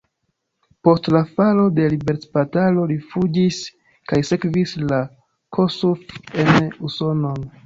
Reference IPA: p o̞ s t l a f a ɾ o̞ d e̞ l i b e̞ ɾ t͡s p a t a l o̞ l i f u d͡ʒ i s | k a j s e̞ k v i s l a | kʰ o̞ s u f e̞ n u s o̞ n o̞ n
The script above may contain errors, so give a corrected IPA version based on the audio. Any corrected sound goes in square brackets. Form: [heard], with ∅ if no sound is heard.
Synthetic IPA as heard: p o̞ s t l a f a [l] o̞ d e̞ l i b e̞ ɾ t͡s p a t a l o̞ l i f u d͡ʒ i s | k a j s e̞ k v i s l a | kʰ o̞ s u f e̞ n u s o̞ n o̞ n